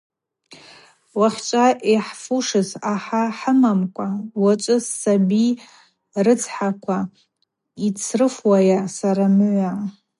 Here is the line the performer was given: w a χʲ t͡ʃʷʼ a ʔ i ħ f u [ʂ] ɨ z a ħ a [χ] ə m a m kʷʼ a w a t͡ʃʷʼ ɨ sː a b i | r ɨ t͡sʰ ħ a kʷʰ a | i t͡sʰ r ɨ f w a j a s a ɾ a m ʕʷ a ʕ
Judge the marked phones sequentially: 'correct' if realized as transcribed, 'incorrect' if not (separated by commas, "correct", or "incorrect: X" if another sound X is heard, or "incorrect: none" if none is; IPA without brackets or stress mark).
correct, incorrect: ħ